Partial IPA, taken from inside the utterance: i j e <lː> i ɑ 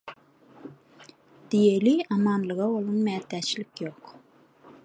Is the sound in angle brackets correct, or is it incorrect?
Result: incorrect